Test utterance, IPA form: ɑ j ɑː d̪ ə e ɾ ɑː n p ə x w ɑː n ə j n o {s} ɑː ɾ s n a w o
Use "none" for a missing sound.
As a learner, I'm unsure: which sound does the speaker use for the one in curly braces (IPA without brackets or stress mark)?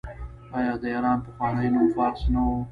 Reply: f